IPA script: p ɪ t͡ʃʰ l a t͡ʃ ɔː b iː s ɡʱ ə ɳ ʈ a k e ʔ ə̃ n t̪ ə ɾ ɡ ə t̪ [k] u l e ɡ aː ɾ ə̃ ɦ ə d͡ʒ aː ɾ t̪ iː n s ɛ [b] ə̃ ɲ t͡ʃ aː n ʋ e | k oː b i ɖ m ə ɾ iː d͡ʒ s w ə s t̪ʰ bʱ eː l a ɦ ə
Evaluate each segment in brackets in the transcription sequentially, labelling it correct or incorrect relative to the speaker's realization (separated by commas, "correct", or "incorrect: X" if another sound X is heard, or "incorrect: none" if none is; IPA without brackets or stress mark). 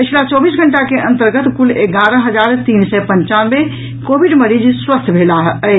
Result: correct, incorrect: p